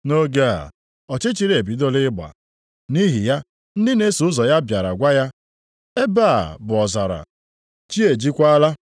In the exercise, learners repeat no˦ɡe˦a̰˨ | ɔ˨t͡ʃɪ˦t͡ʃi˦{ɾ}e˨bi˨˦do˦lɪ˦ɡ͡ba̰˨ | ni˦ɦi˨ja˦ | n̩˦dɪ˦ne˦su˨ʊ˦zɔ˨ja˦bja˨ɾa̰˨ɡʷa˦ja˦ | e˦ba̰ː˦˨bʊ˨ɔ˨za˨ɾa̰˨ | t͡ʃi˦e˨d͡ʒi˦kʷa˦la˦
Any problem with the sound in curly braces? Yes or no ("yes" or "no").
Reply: no